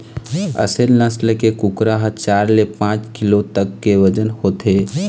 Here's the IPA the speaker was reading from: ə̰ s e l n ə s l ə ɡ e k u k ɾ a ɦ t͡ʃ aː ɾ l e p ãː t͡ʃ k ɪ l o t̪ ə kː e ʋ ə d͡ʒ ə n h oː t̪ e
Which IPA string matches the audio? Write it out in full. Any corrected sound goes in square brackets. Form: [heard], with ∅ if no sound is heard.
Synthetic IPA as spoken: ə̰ s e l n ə s l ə [k] e k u k ɾ a ɦ t͡ʃ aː ɾ l e p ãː t͡ʃ k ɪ l o t̪ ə kː e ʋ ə d͡ʒ ə n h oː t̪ e